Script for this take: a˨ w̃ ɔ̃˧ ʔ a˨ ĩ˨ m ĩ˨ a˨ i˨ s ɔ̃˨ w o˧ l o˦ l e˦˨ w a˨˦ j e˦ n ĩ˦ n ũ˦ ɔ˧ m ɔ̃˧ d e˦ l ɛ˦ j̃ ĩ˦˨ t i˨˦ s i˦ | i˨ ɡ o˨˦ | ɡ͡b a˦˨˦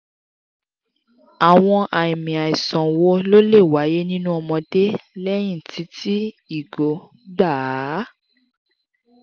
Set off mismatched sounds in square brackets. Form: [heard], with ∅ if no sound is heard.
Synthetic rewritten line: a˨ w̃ ɔ̃˧ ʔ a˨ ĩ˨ m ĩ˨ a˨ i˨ s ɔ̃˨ w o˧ l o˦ l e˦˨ w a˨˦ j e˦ n ĩ˦ n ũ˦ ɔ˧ m ɔ̃˧ d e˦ l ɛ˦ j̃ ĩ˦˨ t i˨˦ [t] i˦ | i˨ ɡ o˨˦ | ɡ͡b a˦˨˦